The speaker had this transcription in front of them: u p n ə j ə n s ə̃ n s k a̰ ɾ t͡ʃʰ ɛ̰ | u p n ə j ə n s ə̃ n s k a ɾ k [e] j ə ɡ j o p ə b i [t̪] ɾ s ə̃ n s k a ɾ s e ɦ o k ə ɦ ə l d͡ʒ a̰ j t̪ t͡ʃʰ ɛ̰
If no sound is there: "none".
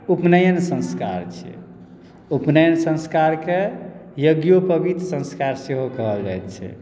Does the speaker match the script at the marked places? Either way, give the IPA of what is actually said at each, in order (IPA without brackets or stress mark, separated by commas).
e, t̪